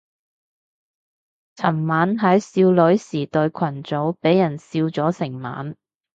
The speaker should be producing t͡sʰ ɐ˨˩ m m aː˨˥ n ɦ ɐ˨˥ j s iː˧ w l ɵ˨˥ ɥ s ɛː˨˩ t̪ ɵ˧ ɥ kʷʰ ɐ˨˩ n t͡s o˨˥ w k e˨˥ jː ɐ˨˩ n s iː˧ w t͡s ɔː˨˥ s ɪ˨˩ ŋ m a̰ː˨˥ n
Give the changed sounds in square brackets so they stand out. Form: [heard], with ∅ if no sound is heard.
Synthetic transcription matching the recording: t͡sʰ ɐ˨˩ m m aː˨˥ n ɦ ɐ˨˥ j s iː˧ w l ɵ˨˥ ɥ s [iː˨˩] t̪ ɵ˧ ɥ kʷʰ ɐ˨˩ n t͡s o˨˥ w [p] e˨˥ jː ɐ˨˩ n s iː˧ w t͡s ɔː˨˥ s ɪ˨˩ ŋ m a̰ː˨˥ n